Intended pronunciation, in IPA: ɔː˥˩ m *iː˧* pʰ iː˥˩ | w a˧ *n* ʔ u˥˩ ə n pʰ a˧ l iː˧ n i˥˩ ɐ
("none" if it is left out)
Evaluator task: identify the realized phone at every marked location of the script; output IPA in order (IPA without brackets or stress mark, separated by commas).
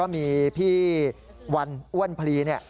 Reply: iː˧, n